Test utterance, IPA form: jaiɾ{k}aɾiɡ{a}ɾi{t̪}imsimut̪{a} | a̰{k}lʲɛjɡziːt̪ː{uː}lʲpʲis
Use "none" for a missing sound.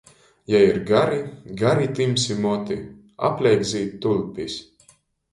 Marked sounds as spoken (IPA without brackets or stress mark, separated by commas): ɡ, a, t̪, i, p, u